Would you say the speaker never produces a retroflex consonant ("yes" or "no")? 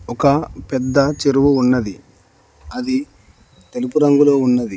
yes